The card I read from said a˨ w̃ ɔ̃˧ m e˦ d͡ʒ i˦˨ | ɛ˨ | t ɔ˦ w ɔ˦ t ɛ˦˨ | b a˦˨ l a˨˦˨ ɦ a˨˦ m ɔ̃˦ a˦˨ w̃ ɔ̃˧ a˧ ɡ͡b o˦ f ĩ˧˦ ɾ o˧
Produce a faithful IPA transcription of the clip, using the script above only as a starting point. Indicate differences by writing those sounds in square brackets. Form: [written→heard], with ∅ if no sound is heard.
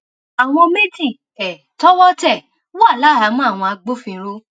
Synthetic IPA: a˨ w̃ ɔ̃˧ m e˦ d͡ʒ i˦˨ | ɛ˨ | t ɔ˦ w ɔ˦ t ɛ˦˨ | [b→w] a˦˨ l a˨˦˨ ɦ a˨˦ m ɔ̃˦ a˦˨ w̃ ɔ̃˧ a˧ ɡ͡b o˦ f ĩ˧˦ ɾ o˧